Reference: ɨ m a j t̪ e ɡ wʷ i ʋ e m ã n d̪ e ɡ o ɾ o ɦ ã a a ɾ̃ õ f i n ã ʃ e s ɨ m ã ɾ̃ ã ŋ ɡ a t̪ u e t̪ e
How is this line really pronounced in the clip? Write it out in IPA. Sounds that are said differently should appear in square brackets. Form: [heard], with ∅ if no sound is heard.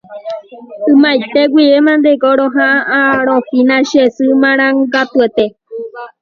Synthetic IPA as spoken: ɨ m a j t̪ e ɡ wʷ i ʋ e m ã n d̪ e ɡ o ɾ o ɦ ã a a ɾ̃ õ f i n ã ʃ e s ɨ m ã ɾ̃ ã ŋ ɡ a t̪ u e t̪ e